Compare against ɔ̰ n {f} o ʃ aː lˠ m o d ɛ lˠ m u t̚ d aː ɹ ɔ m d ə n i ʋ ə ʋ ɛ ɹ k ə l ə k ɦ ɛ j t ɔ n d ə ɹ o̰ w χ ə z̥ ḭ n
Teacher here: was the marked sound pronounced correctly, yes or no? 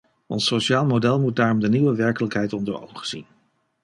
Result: no